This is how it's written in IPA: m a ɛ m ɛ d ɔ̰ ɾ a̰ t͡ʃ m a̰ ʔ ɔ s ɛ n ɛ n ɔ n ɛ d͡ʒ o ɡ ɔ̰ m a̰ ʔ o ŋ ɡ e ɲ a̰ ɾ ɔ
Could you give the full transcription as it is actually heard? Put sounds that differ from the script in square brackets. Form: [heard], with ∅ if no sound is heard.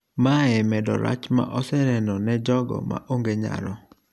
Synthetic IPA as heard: m a ɛ m ɛ d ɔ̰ ɾ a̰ t͡ʃ m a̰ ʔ ɔ s ɛ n ɛ n ɔ n ɛ d͡ʒ [ɔ] ɡ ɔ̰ m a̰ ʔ o ŋ ɡ e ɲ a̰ ɾ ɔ